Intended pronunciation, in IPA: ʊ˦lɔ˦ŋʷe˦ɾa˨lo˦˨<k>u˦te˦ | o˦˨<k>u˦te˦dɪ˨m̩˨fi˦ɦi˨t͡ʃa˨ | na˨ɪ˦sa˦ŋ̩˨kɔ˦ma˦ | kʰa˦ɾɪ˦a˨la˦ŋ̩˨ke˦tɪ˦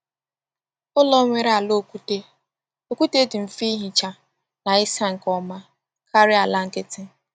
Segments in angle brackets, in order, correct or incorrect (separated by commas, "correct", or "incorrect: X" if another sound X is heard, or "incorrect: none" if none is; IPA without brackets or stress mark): correct, correct